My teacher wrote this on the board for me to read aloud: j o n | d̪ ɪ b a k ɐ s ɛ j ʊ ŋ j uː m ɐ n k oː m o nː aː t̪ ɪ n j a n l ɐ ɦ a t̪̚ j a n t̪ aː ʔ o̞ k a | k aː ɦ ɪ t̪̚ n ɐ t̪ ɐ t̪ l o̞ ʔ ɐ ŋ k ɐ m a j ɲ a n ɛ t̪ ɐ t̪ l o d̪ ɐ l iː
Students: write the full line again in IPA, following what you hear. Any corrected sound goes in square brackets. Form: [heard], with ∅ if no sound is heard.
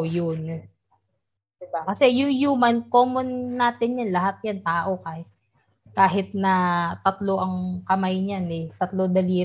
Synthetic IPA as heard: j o n | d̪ ɪ b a k ɐ s ɛ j ʊ ŋ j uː m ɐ n k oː m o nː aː t̪ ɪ n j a n l ɐ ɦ a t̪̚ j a n t̪ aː ʔ o̞ k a | k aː ɦ ɪ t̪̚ n ɐ t̪ ɐ t̪ l o̞ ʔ ɐ ŋ k ɐ m a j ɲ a n ɛ t̪ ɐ t̪ l o d̪ ɐ l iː